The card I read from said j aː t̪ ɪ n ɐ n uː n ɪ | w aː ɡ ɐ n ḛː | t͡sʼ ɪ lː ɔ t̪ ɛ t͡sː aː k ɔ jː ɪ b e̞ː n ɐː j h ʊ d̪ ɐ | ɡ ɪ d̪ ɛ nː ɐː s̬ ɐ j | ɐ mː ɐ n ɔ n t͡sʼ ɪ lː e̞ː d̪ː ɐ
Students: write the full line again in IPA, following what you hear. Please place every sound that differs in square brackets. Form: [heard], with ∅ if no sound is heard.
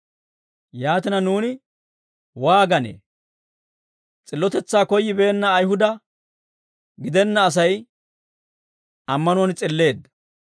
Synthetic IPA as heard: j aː t̪ ɪ n ɐ n uː n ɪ | w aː ɡ ɐ n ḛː | t͡sʼ ɪ lː ɔ t̪ ɛ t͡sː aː k ɔ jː ɪ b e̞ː [nː] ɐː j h ʊ d̪ ɐ | ɡ ɪ d̪ ɛ nː ɐː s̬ ɐ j | ɐ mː ɐ n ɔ n t͡sʼ ɪ lː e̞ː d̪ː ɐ

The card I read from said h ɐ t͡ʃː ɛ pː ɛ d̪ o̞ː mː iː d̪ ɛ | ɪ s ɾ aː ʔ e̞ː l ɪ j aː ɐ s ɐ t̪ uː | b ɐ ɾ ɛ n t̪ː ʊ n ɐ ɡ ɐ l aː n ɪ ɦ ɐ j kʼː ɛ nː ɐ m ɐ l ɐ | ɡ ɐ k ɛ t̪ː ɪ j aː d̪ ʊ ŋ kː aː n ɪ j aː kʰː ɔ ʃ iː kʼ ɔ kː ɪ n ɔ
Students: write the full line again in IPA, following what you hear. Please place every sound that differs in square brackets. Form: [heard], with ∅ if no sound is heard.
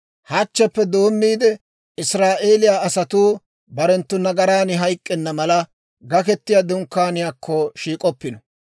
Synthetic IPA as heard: h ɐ t͡ʃː ɛ pː ɛ d̪ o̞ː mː iː d̪ ɛ | ɪ s ɾ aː ʔ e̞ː l ɪ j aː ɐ s ɐ t̪ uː | b ɐ ɾ ɛ n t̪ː ʊ n ɐ ɡ ɐ [ɾ] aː n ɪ ɦ ɐ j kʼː ɛ nː ɐ m ɐ l ɐ | ɡ ɐ k ɛ t̪ː ɪ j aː d̪ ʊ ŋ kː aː n ɪ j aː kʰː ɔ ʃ iː kʼ ɔ [pː] ɪ n ɔ

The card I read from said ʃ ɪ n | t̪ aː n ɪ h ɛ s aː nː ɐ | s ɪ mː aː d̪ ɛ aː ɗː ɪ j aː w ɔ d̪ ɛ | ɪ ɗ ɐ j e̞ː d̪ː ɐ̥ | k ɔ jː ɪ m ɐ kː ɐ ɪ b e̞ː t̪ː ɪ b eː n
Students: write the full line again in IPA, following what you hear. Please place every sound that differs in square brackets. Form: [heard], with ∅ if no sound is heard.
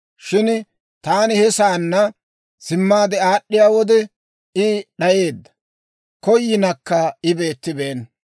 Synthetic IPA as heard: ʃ ɪ n | t̪ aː n ɪ h ɛ s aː nː ɐ | s ɪ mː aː d̪ ɛ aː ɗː ɪ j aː w ɔ d̪ ɛ | ɪ ɗ ɐ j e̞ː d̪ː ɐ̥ | k ɔ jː ɪ [n] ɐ kː ɐ ɪ b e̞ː t̪ː ɪ b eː n

